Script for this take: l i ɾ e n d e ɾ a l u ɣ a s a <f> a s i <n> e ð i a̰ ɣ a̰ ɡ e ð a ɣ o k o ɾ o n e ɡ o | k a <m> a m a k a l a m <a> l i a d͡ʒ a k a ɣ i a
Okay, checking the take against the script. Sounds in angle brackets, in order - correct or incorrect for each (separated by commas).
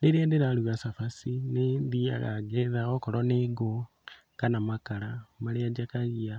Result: correct, correct, incorrect, correct